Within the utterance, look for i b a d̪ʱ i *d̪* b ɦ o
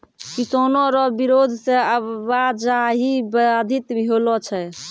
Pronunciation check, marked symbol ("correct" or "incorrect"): incorrect